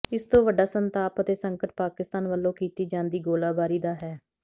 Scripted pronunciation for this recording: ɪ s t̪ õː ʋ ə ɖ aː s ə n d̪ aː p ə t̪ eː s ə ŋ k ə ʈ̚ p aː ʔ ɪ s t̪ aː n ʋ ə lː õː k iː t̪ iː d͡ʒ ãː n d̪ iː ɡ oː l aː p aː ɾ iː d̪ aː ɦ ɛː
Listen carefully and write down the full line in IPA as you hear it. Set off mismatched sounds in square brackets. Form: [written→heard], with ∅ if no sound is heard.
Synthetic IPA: ɪ s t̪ õː ʋ ə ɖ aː s ə n [d̪→t̪] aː p ə t̪ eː s ə ŋ k ə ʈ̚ p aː [ʔ→k] ɪ s t̪ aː n ʋ ə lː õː k iː t̪ iː d͡ʒ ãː n d̪ iː ɡ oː l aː [p→b] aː ɾ iː d̪ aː ɦ ɛː